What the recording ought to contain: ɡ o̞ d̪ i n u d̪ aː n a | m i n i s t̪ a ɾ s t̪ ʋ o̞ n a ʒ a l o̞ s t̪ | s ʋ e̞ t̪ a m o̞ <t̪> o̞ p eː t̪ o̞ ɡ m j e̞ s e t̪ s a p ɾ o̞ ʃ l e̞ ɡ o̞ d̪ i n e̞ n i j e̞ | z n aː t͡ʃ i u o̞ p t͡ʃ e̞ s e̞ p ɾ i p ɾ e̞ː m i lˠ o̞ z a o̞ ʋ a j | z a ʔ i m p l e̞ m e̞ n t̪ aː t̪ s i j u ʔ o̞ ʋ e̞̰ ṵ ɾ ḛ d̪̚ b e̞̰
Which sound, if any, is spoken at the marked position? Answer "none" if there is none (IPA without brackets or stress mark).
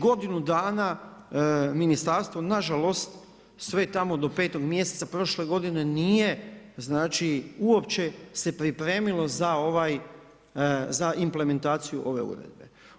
d̪